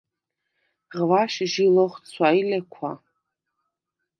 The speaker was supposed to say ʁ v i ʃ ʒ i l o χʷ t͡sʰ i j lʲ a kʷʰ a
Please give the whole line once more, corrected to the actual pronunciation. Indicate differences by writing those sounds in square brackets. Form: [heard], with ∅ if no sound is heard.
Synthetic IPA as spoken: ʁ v [a] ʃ ʒ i l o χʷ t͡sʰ [a] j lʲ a kʷʰ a